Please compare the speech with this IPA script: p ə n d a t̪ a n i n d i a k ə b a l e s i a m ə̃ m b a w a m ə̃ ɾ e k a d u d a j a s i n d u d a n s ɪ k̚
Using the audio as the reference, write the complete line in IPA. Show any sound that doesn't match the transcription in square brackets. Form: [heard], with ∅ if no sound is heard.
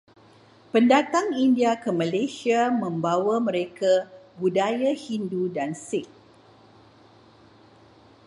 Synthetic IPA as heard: p ə n d a t̪ a [ŋ] i n d i a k ə [m] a l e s i a m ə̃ m b a w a m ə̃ ɾ e k a [b] u d a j a [h] i n d u d a n s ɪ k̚

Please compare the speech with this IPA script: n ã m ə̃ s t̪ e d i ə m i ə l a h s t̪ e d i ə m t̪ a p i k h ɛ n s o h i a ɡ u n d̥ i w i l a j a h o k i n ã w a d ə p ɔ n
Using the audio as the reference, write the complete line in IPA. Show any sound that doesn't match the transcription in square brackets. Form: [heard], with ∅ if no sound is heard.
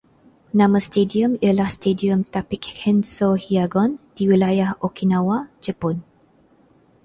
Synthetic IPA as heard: n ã m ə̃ s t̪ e d i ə m i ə l a h s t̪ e d i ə m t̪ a p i k h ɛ n s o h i a ɡ [ɔ] n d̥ i w i l a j a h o k i n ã w a [d͡ʒ] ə p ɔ n

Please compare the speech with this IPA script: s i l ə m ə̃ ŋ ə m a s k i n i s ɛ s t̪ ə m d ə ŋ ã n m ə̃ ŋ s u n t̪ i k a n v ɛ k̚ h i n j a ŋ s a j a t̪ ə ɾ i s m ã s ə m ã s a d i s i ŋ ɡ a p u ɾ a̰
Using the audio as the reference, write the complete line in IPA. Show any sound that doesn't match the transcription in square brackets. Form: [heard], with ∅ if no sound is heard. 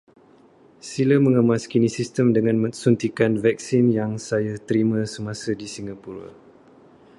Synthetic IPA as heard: s i l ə m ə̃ ŋ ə m a s k i n i s [i] s t̪ ə m d ə ŋ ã n m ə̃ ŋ s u n t̪ i k a n v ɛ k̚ [s] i n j a ŋ s a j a t̪ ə ɾ i [∅] m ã s ə m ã s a d i s i ŋ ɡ a p u ɾ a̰

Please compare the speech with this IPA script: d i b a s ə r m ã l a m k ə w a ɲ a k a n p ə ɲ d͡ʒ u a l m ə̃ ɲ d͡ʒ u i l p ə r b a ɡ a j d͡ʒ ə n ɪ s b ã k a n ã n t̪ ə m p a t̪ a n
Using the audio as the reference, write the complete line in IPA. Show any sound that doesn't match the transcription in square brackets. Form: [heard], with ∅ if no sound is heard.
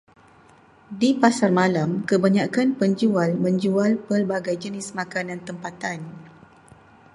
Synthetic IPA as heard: d i [p] a s [a] r m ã l a m k ə [b] a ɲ a k a n p ə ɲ d͡ʒ u a l m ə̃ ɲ d͡ʒ u [a] l p ə r b a ɡ a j d͡ʒ ə n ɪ s [m] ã k a n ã n t̪ ə m p a t̪ a n

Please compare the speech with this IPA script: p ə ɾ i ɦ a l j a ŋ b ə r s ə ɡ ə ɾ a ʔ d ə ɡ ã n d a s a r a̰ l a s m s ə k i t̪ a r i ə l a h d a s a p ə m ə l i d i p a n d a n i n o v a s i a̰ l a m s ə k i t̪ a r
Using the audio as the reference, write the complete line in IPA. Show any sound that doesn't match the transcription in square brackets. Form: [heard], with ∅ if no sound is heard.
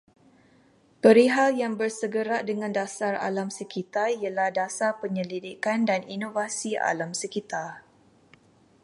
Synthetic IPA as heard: p ə ɾ i ɦ a l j a ŋ b ə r s ə ɡ ə ɾ a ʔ d ə [ŋ] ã n d a s a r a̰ l a [∅] m s ə k i t̪ a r i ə l a h d a s a p ə [ɲ] ə l i d i [k] a n d a n i n o v a s i a̰ l a m s ə k i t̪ a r

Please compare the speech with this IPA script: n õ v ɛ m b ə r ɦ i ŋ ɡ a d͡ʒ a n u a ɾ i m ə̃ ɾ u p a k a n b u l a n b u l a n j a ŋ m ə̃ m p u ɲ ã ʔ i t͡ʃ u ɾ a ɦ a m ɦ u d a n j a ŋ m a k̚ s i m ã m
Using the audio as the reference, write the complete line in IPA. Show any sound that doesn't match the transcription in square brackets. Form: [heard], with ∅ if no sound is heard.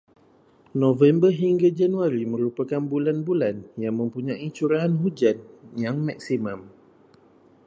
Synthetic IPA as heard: n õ v ɛ m b ə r ɦ i ŋ ɡ a d͡ʒ a n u a ɾ i m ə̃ ɾ u p a k a n b u l a n b u l a n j a ŋ m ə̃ m p u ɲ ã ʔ i t͡ʃ u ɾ a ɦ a [n] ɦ u [d͡ʒ] a n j a ŋ m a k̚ s i m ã m

